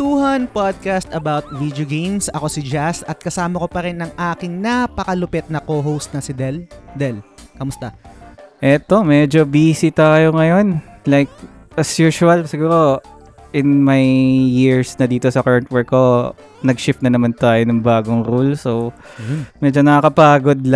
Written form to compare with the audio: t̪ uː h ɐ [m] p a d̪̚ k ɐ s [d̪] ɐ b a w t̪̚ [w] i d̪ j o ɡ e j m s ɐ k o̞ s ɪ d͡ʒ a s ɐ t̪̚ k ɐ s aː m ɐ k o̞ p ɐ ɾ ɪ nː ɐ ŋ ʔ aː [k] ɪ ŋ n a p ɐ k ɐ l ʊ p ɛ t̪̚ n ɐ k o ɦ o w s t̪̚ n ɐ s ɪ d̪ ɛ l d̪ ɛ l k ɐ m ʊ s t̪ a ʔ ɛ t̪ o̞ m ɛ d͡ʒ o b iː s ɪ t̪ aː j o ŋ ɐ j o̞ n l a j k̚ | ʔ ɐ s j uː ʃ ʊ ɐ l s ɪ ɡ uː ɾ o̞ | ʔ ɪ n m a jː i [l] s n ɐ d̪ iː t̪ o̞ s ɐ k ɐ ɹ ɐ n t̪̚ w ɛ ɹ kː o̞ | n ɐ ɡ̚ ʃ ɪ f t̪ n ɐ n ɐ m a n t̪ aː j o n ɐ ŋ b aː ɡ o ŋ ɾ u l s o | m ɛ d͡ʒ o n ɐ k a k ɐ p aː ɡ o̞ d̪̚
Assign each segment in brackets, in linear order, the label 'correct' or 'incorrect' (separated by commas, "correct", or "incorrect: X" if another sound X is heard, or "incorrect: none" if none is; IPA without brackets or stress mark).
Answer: incorrect: n, incorrect: t̪, incorrect: v, correct, incorrect: ɹ